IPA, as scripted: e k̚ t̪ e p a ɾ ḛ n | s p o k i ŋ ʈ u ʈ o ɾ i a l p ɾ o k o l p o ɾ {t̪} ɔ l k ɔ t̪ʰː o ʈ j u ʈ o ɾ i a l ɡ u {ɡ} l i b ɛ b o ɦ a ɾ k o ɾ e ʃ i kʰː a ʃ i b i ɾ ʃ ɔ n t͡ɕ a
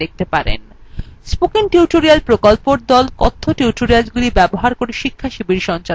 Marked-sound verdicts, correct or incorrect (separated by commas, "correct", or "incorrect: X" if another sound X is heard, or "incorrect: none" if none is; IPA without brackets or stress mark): incorrect: d̪, incorrect: none